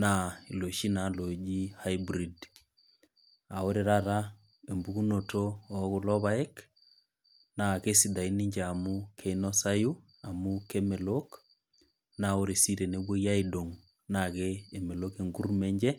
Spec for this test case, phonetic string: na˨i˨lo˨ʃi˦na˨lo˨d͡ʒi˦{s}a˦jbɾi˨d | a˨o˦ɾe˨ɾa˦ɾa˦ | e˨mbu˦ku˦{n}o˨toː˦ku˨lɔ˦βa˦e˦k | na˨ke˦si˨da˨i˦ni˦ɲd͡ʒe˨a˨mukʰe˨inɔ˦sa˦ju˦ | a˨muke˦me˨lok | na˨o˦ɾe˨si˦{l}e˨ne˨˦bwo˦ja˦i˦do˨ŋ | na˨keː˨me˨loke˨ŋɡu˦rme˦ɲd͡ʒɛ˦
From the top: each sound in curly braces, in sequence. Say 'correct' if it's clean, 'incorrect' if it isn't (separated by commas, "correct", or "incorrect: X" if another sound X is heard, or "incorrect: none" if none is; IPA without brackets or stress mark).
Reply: incorrect: h, correct, incorrect: ɾ